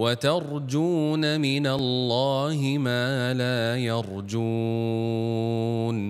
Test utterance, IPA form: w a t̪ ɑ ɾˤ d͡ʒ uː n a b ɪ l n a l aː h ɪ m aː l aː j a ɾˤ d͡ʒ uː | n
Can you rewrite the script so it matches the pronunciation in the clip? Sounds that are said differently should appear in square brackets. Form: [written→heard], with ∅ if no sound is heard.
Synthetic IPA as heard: w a t̪ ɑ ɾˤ d͡ʒ uː n a [b→m] ɪ [l→∅] n a [l→lː] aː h ɪ m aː l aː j [a→ɑ] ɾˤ d͡ʒ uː | n